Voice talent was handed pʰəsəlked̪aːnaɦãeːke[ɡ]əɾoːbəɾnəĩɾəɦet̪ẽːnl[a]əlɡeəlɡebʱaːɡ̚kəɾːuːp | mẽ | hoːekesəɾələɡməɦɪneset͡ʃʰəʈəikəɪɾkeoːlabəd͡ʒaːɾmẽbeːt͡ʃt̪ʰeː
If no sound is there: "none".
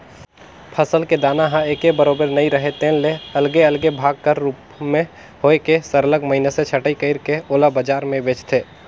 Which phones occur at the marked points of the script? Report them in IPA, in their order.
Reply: b, e

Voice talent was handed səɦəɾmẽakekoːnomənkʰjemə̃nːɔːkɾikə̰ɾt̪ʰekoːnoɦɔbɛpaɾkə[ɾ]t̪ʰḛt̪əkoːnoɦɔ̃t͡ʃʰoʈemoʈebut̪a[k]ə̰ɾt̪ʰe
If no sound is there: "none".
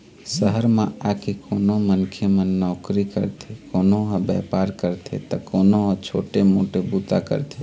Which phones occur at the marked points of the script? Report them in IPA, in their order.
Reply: ɾ, k

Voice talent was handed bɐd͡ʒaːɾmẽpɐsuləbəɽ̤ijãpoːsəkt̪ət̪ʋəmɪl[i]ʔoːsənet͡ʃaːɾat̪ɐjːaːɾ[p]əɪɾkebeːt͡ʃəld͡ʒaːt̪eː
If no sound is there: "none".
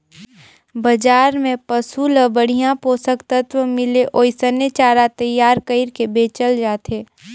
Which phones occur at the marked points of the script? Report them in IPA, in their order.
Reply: e, k

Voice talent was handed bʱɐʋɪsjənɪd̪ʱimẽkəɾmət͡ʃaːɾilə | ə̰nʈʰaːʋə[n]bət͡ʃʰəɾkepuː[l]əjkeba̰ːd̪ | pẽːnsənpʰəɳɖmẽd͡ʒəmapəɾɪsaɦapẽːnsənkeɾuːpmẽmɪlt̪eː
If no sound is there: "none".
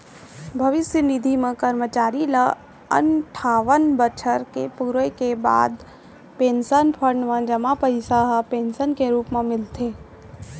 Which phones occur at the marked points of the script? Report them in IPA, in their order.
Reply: n, ɾ

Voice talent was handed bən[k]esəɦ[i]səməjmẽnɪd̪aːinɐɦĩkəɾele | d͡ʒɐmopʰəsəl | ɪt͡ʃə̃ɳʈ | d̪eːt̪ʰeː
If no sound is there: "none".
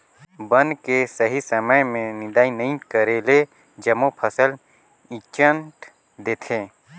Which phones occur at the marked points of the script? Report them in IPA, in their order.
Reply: k, i

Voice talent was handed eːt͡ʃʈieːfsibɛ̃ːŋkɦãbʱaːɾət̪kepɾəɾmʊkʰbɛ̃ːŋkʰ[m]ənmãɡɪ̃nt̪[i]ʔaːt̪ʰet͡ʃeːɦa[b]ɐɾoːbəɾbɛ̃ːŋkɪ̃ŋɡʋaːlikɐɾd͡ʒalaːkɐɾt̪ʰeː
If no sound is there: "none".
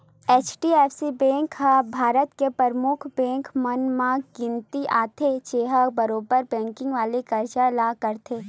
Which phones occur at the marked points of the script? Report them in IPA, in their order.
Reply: m, i, b

